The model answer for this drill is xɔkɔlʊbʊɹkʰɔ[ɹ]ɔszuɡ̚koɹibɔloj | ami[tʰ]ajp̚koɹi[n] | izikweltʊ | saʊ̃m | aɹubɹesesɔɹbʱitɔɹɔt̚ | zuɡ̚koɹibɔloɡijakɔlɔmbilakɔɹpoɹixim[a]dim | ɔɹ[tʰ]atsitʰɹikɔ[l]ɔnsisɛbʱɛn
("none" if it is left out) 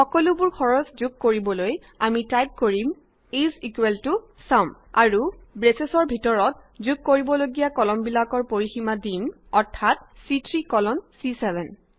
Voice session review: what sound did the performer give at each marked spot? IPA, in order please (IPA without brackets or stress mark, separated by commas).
ɹ, t, m, a, tʰ, l